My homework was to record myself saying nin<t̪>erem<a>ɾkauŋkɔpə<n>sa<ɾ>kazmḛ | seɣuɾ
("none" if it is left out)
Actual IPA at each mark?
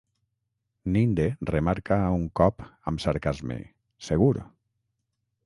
d̪, a, m, ɾ

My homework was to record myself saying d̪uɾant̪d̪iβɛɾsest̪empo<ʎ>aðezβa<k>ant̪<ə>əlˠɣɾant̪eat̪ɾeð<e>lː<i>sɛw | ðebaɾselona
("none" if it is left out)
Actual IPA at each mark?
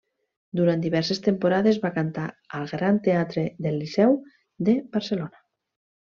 ɾ, k, a, e, i

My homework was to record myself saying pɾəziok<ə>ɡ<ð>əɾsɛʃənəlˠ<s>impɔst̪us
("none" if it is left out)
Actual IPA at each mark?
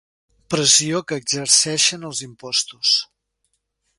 əː, z, z

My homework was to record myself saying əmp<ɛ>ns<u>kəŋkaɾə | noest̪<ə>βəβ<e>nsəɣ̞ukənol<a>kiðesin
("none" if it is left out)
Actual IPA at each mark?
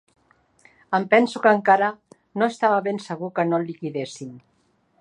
ɛ, u, a, e, i

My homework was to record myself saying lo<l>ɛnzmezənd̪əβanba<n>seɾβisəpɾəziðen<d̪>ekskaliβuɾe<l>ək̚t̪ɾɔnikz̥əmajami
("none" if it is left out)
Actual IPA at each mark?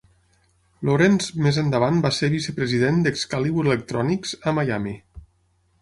ɾ, none, d̪, l

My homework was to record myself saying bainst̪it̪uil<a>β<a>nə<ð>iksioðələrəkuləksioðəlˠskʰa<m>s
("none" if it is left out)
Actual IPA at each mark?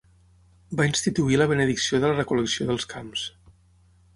ə, ə, ð, m

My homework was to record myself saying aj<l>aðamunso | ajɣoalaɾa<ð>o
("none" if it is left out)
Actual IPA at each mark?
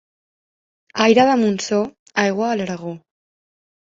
ɾ, ɣ

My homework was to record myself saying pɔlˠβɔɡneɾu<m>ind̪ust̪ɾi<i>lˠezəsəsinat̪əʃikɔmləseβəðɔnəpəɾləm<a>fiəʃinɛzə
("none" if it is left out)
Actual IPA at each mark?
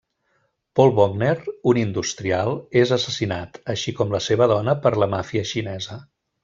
n, a, a

